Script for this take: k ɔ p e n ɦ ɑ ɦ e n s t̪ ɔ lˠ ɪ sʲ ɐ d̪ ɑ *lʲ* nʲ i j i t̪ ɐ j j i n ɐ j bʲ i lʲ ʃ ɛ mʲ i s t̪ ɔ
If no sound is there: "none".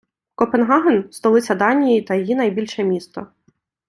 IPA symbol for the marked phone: none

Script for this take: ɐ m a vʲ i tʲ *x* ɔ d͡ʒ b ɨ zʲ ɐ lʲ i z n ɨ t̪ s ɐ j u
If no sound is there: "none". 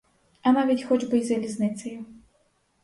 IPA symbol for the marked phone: x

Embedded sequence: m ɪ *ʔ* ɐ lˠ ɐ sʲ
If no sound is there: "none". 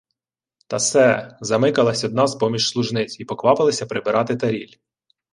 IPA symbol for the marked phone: k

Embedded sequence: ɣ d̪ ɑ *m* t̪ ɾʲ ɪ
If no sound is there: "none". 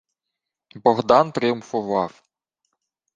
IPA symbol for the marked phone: n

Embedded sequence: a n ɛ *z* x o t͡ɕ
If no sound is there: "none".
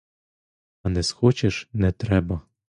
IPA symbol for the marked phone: s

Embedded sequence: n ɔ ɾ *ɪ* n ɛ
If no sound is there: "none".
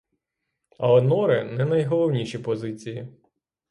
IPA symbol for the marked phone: ɪ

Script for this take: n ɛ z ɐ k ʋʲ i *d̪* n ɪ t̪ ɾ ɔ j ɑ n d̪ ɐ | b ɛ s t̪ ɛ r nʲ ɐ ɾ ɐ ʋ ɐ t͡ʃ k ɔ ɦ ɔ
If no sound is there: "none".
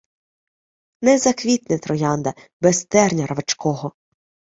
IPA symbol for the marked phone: t̪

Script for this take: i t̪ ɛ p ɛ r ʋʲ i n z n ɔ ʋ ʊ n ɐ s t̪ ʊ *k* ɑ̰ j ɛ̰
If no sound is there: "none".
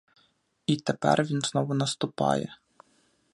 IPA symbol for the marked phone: p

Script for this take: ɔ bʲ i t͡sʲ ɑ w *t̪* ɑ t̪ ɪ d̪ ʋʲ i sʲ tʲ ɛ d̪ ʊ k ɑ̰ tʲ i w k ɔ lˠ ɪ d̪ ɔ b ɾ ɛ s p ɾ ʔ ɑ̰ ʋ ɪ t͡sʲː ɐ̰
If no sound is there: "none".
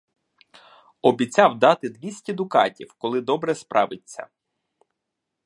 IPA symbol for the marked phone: d̪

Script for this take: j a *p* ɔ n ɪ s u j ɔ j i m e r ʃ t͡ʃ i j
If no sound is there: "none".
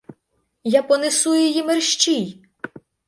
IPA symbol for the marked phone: p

